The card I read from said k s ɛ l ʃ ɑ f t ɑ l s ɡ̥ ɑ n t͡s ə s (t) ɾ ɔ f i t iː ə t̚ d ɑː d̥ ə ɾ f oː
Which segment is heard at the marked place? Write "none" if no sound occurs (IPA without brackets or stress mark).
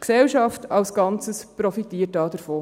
p